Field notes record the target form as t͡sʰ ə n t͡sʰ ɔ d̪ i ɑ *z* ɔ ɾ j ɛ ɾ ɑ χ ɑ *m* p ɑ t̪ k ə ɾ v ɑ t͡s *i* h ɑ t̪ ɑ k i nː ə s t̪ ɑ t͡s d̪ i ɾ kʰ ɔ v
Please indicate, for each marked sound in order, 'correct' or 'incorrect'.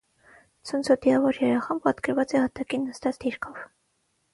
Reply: incorrect: v, correct, incorrect: ɛ

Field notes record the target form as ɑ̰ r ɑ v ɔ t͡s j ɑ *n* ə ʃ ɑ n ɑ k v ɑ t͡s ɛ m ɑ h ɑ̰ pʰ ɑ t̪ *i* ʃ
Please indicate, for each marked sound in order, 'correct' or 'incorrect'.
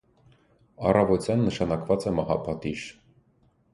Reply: incorrect: nː, correct

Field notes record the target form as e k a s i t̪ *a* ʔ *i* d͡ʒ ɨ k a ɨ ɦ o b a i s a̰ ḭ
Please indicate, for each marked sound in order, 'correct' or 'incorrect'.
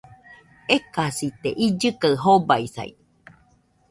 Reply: incorrect: e, correct

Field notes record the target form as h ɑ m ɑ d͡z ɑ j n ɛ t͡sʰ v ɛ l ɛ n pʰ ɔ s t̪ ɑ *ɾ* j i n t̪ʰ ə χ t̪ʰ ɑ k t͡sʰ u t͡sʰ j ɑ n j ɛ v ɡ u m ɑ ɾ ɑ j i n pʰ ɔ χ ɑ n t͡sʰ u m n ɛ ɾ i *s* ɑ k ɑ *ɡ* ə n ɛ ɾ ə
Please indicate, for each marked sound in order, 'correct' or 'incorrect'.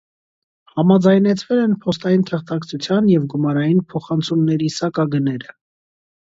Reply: incorrect: none, correct, correct

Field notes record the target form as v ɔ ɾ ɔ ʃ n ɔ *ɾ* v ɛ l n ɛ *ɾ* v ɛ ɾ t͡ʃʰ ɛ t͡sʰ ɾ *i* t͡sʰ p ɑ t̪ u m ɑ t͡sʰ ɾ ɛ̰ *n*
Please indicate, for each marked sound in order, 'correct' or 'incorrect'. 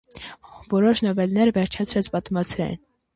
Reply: incorrect: none, correct, incorrect: ɛ, correct

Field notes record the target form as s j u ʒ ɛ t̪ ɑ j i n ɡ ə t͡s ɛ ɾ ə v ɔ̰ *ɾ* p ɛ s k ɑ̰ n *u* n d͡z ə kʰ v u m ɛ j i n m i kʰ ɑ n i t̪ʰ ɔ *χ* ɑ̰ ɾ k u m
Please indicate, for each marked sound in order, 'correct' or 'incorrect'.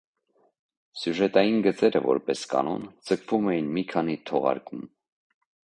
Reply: correct, incorrect: ɔ, incorrect: ʁ

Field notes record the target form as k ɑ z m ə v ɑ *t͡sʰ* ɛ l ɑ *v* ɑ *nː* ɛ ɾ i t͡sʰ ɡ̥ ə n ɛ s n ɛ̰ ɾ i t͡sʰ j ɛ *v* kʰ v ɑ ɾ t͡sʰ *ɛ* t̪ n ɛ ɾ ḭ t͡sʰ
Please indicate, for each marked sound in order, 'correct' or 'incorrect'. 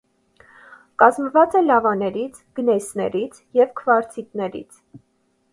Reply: incorrect: t͡s, correct, incorrect: n, correct, incorrect: i

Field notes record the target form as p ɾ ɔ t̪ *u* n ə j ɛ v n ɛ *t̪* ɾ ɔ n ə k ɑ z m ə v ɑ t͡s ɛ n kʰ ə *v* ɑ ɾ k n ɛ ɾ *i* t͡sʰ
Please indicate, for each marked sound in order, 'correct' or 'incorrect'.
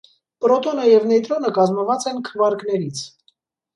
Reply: incorrect: ɔ, correct, correct, correct

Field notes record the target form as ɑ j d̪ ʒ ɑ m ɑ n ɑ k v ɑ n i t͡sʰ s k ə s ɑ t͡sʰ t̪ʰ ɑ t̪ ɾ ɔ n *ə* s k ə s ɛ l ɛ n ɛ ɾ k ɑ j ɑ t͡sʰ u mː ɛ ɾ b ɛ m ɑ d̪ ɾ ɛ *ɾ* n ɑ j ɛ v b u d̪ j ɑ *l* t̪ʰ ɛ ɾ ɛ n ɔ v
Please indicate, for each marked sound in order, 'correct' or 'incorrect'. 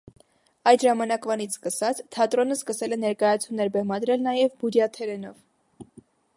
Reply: correct, incorrect: l, incorrect: none

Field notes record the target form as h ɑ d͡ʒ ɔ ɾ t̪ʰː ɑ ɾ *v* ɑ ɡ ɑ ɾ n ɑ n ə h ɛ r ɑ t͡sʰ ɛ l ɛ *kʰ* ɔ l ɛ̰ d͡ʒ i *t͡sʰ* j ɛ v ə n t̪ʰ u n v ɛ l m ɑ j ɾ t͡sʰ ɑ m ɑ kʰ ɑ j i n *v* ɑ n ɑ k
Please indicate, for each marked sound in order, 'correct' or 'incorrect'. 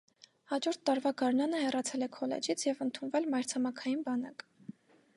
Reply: correct, correct, correct, incorrect: b

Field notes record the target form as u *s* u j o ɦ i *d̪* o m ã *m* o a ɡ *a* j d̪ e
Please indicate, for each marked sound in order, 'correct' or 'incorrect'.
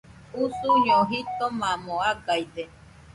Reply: correct, incorrect: t̪, correct, correct

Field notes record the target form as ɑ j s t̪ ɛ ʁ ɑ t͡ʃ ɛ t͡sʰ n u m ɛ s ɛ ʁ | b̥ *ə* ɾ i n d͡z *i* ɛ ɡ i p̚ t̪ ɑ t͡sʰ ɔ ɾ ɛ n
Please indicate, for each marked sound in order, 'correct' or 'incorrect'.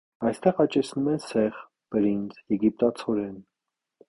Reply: correct, incorrect: j

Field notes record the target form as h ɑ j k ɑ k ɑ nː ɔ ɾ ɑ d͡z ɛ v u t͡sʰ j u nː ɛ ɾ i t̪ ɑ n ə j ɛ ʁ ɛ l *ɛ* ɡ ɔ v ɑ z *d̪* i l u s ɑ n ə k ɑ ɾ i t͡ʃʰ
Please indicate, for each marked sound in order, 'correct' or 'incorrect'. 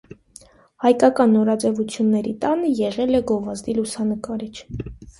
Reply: correct, correct

